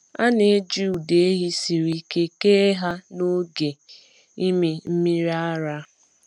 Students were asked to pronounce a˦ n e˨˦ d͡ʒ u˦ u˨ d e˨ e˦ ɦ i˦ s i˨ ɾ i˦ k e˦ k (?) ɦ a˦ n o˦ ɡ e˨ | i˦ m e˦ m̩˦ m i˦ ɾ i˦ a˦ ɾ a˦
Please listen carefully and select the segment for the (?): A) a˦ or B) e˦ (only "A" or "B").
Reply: B